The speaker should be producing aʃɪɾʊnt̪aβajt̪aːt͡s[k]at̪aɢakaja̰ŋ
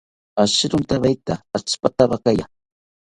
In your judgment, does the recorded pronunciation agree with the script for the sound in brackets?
no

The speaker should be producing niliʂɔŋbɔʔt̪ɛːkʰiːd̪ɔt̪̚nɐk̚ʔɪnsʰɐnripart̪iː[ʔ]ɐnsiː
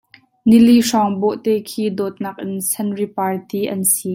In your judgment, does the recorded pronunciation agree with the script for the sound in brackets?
yes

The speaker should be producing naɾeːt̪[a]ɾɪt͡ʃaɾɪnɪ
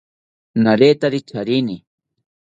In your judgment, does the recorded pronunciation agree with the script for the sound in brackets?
yes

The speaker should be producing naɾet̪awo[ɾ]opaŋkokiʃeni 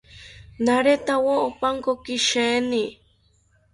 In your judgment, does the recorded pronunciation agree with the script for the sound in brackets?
no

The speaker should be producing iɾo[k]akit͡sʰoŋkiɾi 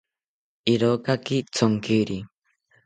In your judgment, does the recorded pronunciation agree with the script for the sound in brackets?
yes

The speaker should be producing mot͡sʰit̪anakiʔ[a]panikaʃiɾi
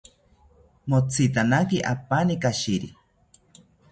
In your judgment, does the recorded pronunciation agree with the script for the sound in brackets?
yes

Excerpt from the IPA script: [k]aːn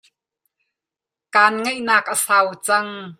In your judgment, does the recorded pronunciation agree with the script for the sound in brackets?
yes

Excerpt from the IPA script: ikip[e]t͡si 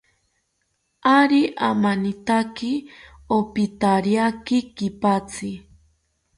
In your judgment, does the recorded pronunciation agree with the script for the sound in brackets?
no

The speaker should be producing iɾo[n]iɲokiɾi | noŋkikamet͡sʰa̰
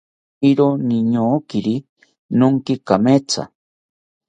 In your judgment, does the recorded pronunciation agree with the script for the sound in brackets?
yes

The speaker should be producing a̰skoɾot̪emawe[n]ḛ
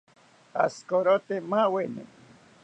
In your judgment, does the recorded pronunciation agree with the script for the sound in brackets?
yes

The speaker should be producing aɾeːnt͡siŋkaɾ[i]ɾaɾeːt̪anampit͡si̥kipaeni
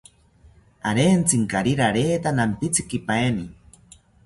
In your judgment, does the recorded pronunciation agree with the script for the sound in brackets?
yes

